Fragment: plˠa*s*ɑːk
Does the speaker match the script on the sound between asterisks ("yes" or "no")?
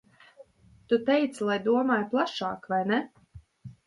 no